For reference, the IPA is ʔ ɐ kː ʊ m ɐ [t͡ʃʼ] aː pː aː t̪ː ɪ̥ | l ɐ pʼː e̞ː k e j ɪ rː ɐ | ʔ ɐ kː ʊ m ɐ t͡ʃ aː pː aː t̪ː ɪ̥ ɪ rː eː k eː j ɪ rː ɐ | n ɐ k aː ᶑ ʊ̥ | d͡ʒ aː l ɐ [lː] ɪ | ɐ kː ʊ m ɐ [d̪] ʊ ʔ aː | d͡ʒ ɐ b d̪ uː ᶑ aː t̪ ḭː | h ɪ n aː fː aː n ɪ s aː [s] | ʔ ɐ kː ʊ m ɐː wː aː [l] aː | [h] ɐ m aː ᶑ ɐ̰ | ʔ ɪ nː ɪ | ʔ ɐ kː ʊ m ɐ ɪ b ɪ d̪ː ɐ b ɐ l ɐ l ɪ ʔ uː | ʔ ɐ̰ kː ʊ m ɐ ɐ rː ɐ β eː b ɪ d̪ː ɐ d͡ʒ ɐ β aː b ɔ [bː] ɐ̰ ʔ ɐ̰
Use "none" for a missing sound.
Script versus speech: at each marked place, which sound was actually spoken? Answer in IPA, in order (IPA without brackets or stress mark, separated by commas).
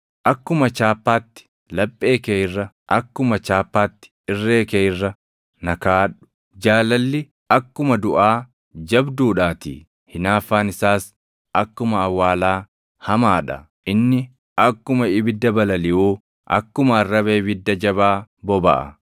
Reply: t͡ʃ, lː, d̪, s, l, h, b